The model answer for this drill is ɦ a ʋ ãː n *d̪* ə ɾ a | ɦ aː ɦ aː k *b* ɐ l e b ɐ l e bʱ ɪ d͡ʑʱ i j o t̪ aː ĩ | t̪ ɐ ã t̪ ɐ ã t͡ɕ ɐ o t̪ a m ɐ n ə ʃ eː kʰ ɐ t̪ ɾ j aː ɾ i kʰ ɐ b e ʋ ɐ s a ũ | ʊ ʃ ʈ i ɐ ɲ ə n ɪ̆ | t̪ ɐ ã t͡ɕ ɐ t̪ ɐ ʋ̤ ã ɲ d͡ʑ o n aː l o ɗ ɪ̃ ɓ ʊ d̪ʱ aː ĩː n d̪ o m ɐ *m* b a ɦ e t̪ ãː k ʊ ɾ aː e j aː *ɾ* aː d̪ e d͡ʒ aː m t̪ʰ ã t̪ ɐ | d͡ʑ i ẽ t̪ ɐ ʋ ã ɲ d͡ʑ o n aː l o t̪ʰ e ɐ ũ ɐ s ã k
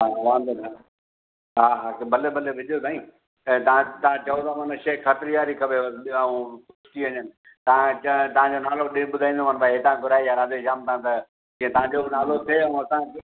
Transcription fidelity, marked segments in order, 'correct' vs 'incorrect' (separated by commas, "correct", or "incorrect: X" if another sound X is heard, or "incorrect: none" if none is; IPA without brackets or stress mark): correct, correct, incorrect: n, correct